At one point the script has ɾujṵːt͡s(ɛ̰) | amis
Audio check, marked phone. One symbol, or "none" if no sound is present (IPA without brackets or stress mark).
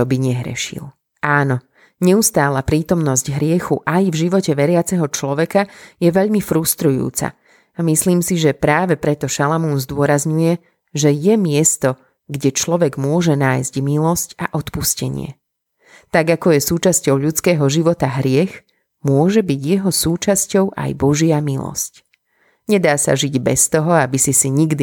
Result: a̰